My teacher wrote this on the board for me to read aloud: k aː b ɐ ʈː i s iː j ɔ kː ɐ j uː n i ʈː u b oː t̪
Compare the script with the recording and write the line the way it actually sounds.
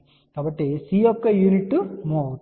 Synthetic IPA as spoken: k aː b ɐ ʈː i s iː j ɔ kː ɐ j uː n i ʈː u m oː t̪